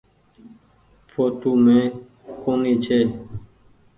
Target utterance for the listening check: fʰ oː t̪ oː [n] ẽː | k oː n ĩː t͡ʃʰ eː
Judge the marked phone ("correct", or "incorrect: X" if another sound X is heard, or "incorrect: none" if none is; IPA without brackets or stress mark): incorrect: m